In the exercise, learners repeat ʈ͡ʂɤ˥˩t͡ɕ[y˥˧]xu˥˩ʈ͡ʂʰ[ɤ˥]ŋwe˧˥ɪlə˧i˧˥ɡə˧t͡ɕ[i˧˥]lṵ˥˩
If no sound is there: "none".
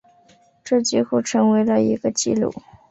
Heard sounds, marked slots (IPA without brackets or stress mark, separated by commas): i˥˧, ɤ˧˥, i˥˧